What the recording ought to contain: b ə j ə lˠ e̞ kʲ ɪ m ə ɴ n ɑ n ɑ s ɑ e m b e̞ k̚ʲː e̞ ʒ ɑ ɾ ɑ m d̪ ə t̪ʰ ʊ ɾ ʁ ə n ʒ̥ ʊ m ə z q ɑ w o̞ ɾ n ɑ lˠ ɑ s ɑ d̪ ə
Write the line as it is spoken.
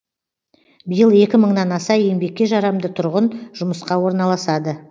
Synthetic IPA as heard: b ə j ə lˠ e̞ kʲ ɪ m ə ɴ n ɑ n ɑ s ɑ e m b e̞ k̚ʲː e̞ ʒ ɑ ɾ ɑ m d̪ ə t̪ʰ ʊ ɾ ʁ ə n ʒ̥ ʊ m ə s q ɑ w o̞ ɾ n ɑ lˠ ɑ s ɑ d̪ ə